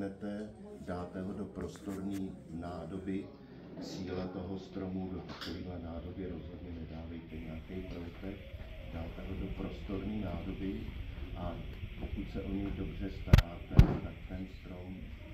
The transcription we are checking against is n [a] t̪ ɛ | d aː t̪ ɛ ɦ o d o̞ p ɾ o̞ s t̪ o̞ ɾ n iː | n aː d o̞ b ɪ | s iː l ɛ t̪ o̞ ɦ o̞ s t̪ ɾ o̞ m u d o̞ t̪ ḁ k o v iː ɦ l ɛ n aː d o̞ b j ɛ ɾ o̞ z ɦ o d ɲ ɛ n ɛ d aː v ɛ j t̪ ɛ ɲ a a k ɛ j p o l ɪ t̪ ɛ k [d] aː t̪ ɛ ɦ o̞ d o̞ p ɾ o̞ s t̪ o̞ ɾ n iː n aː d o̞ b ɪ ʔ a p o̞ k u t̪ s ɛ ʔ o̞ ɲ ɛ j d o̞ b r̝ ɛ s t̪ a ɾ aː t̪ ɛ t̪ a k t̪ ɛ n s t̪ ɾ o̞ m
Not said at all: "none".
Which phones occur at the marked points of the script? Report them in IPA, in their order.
ɛ, d

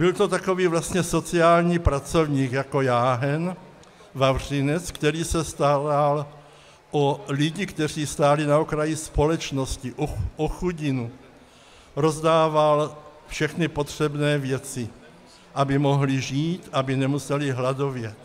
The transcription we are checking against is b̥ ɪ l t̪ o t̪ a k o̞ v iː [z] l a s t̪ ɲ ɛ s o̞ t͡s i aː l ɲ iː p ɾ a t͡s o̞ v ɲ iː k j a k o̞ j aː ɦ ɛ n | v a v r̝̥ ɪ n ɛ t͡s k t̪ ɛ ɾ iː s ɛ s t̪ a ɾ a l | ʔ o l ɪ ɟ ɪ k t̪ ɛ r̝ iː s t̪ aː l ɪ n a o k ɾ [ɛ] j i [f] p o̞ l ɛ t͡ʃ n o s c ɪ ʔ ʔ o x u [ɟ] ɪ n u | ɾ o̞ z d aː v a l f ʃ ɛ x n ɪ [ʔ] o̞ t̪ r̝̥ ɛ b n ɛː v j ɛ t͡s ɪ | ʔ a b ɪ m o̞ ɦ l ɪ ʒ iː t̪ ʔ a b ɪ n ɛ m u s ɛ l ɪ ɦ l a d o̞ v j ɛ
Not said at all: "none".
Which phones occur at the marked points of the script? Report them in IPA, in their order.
v, a, s, ɟ, p

